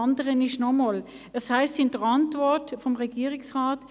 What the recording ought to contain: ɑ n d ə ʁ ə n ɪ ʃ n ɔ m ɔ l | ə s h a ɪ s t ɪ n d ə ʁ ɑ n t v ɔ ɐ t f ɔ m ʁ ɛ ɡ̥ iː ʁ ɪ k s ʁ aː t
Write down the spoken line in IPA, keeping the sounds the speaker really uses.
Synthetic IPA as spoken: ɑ n d ə ʁ ə n ɪ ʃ n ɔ m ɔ l | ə s h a ɪ s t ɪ n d ə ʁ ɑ n t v ɔ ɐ t f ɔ m ʁ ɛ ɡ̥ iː ʁ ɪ k s ʁ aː t